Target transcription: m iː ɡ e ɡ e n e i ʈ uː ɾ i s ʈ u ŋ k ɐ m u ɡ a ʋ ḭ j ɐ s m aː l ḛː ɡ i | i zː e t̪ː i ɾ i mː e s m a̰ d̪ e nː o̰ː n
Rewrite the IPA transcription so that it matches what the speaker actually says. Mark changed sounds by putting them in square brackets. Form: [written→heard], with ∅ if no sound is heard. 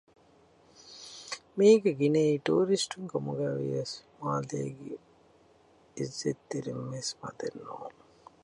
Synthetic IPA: m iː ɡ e ɡ [e→i] n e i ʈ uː ɾ i s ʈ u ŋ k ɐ m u ɡ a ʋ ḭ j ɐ s m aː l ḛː ɡ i | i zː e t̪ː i ɾ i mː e s m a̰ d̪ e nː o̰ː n